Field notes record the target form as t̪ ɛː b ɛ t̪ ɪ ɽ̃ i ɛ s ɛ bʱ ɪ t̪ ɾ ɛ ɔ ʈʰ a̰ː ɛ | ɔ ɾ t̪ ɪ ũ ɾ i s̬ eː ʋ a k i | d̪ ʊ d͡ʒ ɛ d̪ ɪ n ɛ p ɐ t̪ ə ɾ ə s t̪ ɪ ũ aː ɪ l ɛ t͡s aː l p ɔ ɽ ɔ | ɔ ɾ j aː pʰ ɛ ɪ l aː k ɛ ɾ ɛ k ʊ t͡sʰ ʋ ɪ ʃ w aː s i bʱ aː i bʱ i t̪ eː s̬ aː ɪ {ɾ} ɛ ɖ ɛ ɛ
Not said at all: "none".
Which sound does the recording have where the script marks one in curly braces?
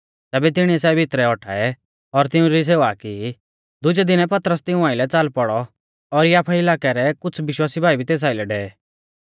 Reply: l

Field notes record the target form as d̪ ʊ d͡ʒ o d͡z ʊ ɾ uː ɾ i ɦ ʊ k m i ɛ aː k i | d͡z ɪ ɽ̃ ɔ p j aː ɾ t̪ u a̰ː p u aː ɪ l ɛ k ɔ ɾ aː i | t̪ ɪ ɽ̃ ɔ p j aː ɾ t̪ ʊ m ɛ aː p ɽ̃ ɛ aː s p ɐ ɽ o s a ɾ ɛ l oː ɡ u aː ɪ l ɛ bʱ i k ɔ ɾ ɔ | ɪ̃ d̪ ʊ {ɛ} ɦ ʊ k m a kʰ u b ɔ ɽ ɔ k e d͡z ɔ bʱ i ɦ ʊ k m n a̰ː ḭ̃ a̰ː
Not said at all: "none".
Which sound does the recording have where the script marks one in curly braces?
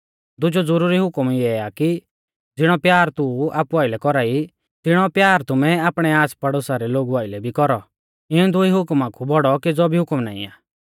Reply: i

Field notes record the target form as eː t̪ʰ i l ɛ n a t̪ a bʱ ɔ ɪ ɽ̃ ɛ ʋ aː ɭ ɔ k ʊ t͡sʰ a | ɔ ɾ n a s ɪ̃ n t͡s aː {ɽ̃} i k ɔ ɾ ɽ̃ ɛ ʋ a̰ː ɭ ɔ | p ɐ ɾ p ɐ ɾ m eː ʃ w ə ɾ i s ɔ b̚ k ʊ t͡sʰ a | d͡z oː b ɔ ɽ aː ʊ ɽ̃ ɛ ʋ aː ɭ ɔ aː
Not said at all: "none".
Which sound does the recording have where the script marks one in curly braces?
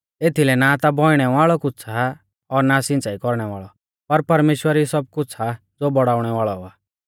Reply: none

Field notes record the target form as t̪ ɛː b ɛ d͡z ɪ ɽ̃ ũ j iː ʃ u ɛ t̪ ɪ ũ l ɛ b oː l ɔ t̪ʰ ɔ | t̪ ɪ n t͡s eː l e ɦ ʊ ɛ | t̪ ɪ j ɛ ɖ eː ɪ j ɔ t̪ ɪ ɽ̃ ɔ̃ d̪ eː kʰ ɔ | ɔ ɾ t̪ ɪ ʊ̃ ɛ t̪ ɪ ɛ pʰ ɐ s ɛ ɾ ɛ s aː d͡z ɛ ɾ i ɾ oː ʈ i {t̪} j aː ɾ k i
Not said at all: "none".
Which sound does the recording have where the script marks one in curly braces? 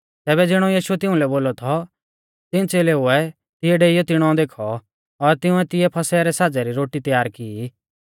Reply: t̪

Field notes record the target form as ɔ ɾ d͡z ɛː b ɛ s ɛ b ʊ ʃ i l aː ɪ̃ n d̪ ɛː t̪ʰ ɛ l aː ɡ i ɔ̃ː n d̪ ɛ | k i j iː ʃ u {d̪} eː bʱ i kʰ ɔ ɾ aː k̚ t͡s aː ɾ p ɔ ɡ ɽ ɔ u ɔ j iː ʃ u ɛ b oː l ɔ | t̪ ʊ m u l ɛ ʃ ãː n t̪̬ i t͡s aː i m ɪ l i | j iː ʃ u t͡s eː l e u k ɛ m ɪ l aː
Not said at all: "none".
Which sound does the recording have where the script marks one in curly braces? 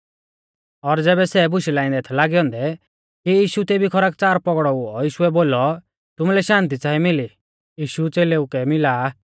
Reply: t̪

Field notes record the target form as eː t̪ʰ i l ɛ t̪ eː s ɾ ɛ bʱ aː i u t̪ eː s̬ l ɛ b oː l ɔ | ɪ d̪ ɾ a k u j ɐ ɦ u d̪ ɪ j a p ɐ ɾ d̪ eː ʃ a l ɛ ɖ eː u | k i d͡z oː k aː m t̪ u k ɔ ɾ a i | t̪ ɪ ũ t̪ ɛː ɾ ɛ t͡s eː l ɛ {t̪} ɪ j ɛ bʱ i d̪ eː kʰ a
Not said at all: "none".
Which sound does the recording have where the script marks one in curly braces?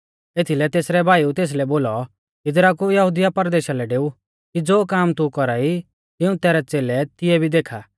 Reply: t̪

